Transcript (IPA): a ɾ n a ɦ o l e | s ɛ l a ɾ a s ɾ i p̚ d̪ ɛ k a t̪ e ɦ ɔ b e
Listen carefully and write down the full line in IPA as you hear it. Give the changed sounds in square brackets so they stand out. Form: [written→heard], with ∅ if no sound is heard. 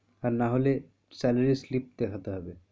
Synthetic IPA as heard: a ɾ n a ɦ o l e | s ɛ l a ɾ [a→i] s [ɾ→l] i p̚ d̪ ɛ [k→kʰ] a t̪ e ɦ ɔ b e